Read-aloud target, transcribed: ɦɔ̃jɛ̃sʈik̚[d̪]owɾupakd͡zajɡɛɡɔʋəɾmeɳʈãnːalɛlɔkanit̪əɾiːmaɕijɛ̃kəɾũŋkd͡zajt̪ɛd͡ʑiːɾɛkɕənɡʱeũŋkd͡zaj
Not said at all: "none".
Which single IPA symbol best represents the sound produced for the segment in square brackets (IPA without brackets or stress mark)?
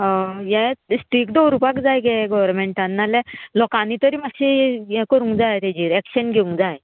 d̪